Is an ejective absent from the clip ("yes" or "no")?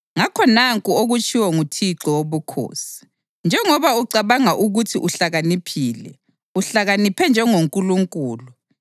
no